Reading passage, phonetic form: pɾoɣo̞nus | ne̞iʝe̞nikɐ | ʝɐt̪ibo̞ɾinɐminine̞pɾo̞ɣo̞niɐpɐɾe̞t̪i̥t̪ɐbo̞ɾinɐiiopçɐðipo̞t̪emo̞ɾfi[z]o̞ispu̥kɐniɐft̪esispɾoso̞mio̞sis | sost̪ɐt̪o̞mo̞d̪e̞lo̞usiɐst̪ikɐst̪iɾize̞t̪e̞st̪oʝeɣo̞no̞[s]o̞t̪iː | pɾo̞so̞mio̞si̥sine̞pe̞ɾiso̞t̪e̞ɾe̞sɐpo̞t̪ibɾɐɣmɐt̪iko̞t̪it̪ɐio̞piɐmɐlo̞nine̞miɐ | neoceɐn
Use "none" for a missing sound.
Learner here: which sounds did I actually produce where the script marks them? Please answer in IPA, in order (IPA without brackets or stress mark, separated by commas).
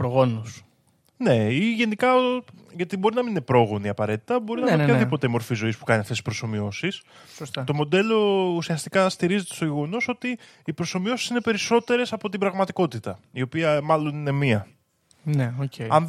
z, s